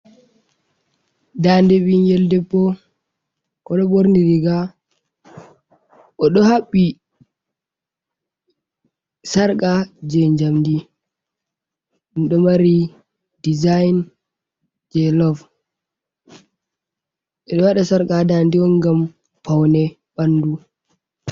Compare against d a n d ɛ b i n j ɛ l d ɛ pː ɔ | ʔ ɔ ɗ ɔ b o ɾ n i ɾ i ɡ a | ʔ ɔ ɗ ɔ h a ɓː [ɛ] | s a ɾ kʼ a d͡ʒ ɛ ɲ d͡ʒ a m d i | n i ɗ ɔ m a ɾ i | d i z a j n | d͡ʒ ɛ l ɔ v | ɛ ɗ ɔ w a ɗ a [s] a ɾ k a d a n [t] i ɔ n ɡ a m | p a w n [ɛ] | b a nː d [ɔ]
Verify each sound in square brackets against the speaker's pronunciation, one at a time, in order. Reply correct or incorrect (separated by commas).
incorrect, correct, incorrect, correct, incorrect